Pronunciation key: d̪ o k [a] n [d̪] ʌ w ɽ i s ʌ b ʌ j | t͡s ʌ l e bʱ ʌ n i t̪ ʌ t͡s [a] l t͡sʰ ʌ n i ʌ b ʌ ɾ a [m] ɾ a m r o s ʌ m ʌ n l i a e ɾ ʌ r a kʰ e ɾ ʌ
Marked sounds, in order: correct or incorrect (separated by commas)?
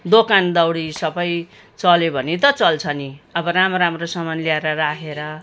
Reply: correct, correct, incorrect, correct